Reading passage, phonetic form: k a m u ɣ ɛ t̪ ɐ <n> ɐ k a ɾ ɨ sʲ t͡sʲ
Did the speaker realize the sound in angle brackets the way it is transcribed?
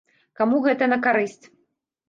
yes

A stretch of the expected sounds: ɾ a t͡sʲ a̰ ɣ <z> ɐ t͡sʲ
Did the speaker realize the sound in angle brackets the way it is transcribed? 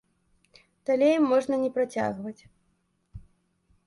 no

